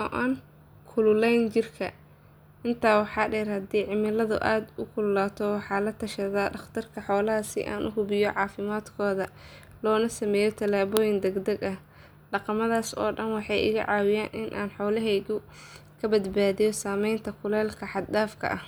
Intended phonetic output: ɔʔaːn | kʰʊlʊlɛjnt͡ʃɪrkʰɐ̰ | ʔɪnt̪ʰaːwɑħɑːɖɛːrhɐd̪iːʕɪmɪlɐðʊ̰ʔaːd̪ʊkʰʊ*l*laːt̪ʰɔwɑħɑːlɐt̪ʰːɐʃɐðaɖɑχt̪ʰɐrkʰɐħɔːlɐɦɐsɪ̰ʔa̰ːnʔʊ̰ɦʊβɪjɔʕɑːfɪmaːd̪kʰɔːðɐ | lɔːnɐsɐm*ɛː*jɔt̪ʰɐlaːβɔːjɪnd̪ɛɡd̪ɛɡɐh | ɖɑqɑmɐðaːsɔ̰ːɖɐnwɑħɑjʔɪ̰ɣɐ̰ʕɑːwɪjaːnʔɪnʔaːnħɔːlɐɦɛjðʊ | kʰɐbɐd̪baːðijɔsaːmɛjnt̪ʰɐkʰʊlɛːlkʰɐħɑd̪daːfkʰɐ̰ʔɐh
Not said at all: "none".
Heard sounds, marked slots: l, ɛː

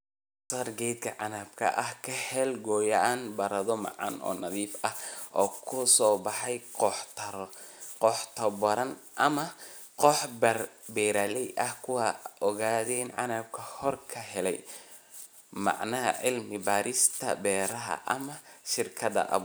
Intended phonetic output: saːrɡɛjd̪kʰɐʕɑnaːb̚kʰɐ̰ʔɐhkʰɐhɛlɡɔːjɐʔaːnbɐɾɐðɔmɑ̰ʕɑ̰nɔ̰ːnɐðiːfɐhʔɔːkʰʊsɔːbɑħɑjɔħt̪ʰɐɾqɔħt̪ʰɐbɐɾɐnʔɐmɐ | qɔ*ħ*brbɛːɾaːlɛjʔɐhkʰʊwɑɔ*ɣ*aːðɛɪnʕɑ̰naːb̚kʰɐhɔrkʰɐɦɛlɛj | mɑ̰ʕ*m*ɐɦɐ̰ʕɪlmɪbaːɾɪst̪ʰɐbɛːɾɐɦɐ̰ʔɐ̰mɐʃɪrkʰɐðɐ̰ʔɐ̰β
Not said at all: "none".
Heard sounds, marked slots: ħ, ɣ, n

